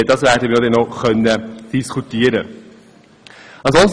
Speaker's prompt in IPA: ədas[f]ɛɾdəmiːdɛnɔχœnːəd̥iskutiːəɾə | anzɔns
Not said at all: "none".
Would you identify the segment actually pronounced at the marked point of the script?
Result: v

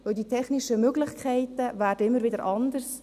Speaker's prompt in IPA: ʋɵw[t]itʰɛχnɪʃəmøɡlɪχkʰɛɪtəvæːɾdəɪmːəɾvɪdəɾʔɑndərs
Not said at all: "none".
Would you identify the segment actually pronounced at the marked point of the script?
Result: d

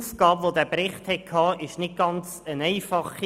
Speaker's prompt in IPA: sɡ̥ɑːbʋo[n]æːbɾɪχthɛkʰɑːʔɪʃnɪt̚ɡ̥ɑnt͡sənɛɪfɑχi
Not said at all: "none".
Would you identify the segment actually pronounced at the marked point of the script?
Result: d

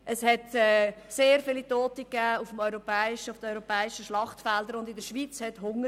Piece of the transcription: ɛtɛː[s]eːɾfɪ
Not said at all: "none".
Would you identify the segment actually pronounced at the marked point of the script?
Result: s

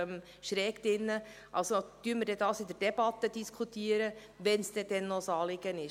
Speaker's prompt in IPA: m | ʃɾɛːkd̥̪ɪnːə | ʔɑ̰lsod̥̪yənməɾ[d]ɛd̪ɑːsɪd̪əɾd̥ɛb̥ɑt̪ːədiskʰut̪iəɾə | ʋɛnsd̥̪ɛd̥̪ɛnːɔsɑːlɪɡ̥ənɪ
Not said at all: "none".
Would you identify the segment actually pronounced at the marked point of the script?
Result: d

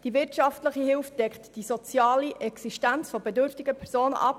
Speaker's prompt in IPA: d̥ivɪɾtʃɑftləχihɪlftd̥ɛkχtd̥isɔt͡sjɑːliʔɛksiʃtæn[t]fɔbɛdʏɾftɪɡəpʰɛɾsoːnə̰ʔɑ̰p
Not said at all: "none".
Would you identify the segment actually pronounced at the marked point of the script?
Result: t͡s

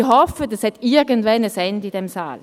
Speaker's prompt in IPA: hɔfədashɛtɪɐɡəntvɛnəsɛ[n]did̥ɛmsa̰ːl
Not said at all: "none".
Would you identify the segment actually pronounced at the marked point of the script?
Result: n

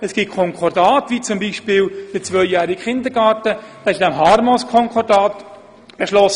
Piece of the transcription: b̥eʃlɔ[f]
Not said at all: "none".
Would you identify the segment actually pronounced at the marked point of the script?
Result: s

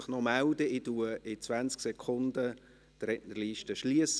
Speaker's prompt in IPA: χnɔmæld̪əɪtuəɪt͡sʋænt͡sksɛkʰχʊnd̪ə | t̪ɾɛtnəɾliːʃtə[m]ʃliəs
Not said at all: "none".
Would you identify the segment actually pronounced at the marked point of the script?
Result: none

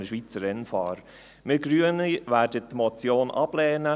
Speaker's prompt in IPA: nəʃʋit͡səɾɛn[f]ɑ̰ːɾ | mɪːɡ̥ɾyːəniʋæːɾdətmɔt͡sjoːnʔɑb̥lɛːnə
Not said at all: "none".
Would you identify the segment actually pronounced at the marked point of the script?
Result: f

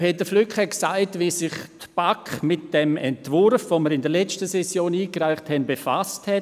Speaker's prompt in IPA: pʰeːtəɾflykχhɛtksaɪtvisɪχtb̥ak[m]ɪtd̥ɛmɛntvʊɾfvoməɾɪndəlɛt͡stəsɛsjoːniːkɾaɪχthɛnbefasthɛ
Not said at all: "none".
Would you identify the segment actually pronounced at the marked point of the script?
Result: m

